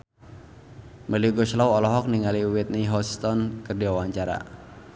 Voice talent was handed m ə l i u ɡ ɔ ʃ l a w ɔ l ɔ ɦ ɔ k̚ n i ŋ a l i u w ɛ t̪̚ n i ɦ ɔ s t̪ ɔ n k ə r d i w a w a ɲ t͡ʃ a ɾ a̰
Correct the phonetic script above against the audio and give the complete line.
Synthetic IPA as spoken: m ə l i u ɡ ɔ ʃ l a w ɔ l ɔ ɦ ɔ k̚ n i ŋ a l i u w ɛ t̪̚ n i ɦ ɔ s t̪ ɔ n k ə r d i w a w a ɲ t͡ʃ a ɾ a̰

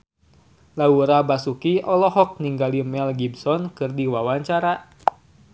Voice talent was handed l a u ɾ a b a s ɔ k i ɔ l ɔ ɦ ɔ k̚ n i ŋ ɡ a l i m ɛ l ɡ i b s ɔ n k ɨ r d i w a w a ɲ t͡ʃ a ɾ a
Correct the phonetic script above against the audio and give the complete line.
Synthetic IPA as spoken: l a u ɾ a b a s u k i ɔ l ɔ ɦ ɔ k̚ n i ŋ ɡ a l i m ɛ l ɡ i b s ɔ n k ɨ r d i w a w a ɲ t͡ʃ a ɾ a

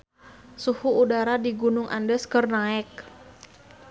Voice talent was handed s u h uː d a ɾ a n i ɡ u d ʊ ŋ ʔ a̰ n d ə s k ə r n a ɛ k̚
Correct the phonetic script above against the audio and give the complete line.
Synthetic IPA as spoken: s u h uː d a ɾ a d i ɡ u n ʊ ŋ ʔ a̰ n d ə s k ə r n a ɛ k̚

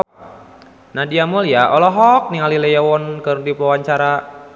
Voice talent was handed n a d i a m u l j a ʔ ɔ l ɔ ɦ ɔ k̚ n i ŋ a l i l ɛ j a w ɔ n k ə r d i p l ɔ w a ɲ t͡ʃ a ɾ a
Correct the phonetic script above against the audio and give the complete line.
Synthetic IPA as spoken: n a d i a m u l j a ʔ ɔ l ɔ ɦ ɔ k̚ n i ŋ a l i l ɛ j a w ɔ n k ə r d i p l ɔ w a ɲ t͡ʃ a ɾ a

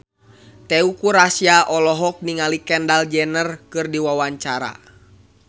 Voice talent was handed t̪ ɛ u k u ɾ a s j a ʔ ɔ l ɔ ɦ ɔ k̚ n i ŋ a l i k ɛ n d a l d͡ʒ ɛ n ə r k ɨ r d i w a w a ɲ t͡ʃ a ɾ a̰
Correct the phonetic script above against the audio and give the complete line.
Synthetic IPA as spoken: t̪ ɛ u k u ɾ a s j a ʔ ɔ l ɔ ɦ ɔ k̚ n i ŋ a l i k ɛ n d a l d͡ʒ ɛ n ə r k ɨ r d i w a w a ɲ t͡ʃ a ɾ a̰

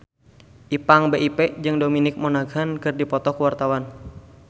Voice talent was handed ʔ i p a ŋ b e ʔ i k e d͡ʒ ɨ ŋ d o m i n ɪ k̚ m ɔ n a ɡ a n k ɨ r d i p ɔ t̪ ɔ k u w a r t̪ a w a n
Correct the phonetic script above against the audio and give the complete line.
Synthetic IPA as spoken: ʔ i p a ŋ b e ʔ i p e d͡ʒ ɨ ŋ d o m i n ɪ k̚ m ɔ n a ɡ a n k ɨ r d i p ɔ t̪ ɔ k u w a r t̪ a w a n

